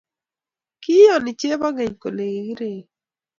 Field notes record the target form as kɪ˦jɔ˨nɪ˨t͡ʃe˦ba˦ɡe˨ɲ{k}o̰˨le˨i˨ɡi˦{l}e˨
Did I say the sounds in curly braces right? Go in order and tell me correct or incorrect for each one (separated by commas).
correct, incorrect